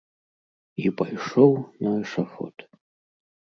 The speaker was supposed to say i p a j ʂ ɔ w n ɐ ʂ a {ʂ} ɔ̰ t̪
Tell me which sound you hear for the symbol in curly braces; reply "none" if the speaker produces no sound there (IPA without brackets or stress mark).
f